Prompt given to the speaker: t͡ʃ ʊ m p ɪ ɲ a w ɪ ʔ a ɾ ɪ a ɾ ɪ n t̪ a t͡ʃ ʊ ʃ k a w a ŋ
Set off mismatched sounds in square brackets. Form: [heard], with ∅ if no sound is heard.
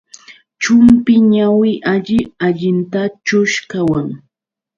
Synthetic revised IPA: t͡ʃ ʊ m p ɪ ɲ a w ɪ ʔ a [ʎ] ɪ a [ʎ] ɪ n t̪ a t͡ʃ ʊ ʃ k a w a ŋ